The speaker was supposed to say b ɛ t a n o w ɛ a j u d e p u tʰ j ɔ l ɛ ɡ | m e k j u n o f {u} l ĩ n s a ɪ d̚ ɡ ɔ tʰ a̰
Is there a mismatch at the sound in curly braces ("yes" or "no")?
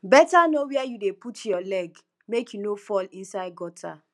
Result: yes